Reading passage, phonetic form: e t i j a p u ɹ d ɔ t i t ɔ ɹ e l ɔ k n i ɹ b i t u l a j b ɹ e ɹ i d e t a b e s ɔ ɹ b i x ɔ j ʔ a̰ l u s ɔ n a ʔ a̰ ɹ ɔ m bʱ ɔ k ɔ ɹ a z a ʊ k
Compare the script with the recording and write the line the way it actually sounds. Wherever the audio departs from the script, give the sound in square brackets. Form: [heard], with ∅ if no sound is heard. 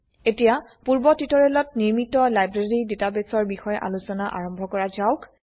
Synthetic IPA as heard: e t i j a p u ɹ [b] ɔ t i t ɔ ɹ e l ɔ [t] n i ɹ [m] i t [ɔ] l a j b ɹ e ɹ i d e t a b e s ɔ ɹ b i x ɔ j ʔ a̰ l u s ɔ n a ʔ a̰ ɹ ɔ m bʱ ɔ k ɔ ɹ a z a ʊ k